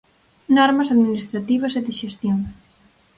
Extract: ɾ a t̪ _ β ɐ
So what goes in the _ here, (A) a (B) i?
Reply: B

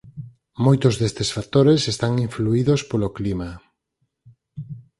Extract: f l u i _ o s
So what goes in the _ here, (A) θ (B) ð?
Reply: B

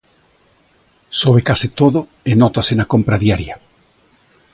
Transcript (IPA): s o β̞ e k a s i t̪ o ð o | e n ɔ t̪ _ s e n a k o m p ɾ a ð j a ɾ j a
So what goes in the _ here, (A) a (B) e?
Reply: A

